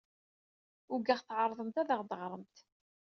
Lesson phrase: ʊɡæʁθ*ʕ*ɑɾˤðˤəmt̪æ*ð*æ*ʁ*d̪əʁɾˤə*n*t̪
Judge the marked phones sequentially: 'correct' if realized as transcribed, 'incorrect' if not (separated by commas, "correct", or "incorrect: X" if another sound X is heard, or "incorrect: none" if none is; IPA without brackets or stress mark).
correct, correct, correct, incorrect: m